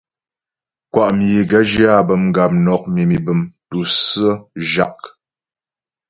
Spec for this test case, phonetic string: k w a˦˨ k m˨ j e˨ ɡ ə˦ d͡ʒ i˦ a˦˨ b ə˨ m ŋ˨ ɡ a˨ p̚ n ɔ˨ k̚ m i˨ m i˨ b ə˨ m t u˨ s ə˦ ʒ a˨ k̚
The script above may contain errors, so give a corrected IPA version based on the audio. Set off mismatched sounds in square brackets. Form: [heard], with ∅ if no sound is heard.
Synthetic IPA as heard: k w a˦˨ [ʔ] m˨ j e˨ ɡ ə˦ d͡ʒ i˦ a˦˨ b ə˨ m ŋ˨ ɡ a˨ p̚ n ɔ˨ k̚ m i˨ m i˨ b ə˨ m t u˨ s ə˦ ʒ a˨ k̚